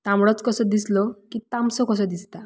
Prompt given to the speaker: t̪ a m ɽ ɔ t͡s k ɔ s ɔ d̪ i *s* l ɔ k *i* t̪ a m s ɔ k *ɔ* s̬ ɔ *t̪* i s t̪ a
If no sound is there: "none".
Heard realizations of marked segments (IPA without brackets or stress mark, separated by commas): s, i, ɔ, d̪